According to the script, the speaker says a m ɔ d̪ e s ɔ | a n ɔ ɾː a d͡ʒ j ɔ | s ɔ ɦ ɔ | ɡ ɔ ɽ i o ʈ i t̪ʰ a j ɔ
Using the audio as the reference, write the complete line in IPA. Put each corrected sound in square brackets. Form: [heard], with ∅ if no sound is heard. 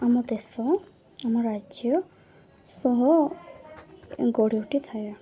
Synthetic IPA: a m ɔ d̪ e s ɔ | a [m] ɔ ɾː a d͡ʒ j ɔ | s ɔ ɦ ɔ | ɡ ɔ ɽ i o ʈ i t̪ʰ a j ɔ